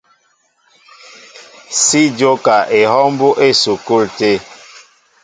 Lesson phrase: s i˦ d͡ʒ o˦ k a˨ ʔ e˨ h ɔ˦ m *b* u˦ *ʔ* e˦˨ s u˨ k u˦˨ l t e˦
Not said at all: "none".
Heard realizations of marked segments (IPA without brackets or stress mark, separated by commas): b, ʔ